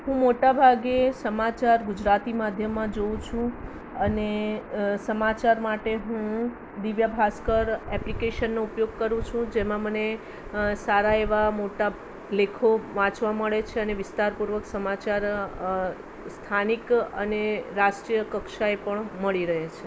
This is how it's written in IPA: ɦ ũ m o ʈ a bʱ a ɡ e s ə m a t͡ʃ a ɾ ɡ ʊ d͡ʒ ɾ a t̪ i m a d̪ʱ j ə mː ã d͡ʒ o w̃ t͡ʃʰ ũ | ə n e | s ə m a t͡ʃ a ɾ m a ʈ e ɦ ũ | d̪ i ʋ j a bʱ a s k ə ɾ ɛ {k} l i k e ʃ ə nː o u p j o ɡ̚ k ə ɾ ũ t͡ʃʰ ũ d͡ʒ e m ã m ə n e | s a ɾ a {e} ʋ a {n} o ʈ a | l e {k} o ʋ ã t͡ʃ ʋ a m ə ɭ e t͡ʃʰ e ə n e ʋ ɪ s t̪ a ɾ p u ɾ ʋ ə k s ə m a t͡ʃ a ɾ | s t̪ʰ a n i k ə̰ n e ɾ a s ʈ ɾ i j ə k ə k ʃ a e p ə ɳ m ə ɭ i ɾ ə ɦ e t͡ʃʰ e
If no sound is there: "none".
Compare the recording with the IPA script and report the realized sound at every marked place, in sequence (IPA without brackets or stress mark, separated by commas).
p, e, m, kʰ